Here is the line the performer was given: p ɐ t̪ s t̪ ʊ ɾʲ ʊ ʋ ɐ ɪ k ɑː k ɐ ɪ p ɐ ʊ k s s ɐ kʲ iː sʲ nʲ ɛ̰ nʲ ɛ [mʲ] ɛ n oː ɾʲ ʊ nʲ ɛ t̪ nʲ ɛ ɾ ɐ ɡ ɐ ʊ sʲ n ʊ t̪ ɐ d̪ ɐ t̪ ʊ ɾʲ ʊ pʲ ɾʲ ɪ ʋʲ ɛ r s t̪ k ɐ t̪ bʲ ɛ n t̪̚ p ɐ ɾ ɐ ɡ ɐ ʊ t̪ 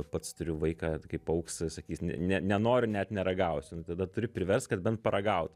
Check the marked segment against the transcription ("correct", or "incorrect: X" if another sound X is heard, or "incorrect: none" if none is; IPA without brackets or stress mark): incorrect: nʲ